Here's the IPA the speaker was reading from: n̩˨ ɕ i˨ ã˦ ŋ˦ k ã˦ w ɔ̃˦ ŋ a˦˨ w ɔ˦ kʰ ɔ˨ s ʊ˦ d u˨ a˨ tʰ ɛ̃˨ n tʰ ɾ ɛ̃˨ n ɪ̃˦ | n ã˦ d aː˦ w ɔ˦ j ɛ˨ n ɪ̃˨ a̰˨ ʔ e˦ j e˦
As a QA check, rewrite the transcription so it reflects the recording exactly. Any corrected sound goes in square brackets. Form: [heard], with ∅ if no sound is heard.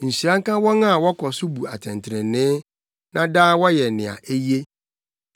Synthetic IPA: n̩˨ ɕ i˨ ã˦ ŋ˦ k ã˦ w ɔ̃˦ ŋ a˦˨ w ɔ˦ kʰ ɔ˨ s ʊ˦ [b] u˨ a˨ tʰ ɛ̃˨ n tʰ ɾ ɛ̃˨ n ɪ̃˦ | n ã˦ d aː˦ w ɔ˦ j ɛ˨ n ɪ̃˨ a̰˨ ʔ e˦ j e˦